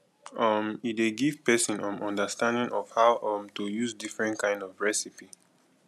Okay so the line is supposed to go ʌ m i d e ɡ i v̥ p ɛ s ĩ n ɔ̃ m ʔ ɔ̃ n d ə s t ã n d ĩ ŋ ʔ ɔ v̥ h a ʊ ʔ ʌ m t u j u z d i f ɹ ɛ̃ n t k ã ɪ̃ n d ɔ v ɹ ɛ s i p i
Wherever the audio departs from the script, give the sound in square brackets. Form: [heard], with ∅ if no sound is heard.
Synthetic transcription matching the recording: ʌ m i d e ɡ i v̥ p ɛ s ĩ n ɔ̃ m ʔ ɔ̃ n d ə s t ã n d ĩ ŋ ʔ ɔ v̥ h a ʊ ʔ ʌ m t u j u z d i f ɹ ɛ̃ n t k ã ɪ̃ n d ɔ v ɹ ɛ s i p i